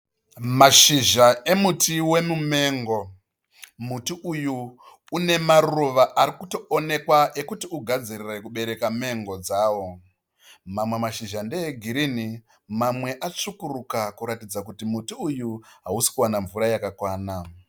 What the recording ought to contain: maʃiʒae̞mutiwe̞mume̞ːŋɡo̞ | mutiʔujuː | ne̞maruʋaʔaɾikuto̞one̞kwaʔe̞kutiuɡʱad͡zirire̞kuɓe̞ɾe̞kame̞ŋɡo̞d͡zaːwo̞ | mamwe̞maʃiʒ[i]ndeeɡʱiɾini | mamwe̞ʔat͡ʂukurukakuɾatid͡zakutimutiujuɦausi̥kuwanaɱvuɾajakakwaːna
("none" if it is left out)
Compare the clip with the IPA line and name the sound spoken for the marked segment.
a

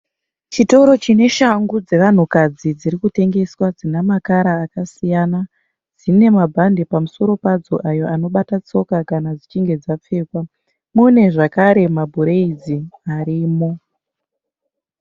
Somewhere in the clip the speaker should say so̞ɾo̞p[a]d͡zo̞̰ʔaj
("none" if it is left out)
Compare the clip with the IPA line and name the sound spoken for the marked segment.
a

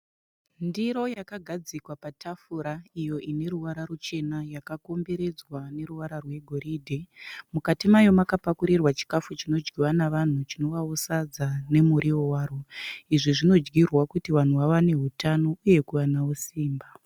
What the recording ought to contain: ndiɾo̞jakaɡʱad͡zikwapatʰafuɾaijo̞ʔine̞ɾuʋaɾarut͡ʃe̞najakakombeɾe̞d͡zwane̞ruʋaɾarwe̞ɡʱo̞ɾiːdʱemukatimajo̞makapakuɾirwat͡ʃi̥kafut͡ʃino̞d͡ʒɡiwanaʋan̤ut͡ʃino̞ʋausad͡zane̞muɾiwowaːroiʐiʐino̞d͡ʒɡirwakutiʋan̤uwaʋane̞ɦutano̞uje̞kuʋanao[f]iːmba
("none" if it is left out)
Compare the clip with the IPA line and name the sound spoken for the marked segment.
s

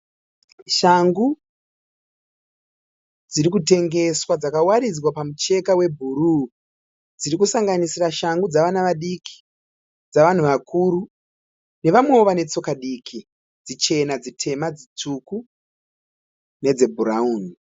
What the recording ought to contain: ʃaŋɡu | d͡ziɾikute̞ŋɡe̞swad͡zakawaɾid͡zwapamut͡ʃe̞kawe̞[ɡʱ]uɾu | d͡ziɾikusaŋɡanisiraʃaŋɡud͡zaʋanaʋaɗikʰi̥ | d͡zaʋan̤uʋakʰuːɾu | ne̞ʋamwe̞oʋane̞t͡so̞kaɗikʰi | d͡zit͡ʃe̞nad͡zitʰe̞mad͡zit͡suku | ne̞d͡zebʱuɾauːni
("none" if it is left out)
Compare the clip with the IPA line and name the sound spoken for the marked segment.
bʱ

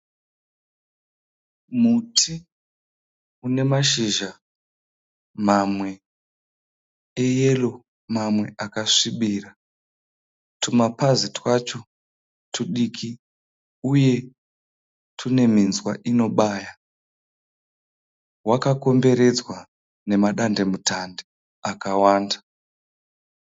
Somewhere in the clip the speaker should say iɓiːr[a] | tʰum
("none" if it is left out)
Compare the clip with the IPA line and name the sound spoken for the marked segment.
a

